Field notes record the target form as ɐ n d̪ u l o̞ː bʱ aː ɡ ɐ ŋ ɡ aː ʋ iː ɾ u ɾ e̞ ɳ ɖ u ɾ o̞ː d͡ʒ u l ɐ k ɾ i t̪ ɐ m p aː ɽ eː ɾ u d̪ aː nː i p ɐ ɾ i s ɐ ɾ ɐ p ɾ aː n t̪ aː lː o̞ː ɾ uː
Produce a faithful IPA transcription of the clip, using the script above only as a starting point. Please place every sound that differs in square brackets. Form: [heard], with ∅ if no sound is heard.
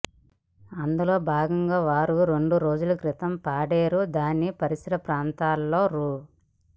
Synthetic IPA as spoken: ɐ n d̪ u l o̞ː bʱ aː ɡ ɐ ŋ ɡ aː ʋ [aː] ɾ u ɾ e̞ ɳ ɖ u ɾ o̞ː d͡ʒ u l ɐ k ɾ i t̪ ɐ m p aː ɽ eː ɾ u d̪ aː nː i p ɐ ɾ i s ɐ ɾ ɐ p ɾ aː n t̪ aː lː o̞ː ɾ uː